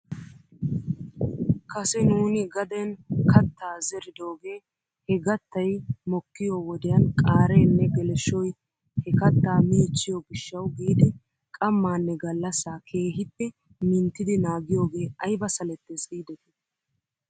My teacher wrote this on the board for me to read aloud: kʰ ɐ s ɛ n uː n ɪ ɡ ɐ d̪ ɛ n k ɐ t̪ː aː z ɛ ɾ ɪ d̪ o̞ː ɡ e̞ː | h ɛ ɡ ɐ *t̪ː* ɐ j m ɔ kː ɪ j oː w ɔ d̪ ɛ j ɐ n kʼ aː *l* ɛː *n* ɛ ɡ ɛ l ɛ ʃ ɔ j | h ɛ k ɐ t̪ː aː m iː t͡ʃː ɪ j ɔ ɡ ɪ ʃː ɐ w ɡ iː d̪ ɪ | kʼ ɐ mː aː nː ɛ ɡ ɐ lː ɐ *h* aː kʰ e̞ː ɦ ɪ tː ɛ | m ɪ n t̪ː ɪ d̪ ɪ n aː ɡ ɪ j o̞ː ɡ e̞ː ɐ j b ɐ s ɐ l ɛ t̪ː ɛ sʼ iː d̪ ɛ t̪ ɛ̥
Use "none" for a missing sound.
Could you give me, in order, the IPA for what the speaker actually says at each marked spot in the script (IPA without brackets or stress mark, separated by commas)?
t̪ː, ɾ, nː, s